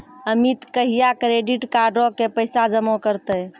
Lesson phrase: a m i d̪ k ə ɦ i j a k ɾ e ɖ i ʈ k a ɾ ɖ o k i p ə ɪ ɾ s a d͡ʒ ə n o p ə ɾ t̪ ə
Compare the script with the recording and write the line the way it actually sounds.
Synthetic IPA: ə m i t̪ k ə ɦ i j a k ɾ e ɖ i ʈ k a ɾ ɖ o k e p ə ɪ s a d͡ʒ ə m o k ə ɾ t̪ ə